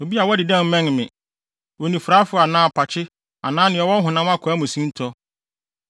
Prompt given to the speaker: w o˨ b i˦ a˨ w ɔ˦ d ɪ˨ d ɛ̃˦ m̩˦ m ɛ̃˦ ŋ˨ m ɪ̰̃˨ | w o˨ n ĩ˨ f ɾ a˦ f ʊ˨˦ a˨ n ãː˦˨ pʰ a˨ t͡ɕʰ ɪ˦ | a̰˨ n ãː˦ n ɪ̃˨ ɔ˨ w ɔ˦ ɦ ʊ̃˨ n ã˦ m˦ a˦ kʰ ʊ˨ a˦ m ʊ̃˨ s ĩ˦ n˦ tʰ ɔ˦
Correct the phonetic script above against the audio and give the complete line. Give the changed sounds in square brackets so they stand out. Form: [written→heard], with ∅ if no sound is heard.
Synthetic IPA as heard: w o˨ b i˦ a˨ w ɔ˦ d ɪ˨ d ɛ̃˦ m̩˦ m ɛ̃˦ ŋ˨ m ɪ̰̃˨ | w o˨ n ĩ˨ f ɾ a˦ f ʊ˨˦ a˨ n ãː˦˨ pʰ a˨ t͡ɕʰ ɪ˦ | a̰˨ n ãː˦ n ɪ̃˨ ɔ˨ w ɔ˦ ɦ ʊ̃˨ n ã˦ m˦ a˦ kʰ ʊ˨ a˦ m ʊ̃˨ s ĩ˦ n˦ tʰ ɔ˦